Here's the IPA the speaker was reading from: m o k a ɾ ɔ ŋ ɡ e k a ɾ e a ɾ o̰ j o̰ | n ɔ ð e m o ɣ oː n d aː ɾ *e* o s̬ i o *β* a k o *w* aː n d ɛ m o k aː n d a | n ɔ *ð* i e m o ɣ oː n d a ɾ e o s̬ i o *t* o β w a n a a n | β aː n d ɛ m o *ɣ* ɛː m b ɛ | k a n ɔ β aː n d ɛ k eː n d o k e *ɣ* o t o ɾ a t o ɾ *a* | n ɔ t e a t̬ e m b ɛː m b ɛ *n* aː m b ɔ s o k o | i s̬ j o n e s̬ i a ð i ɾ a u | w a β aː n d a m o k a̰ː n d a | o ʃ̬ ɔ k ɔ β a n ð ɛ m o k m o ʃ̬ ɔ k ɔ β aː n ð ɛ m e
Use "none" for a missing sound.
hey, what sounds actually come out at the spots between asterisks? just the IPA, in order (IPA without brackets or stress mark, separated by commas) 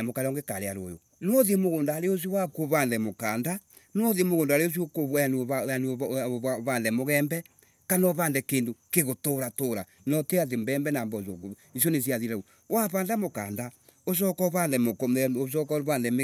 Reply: e, w, β, ð, k, ɣ, ɣ, a, n